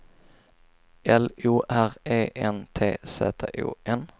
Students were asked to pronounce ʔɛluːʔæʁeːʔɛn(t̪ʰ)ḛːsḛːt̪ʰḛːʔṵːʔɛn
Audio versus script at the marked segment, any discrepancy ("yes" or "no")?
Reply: no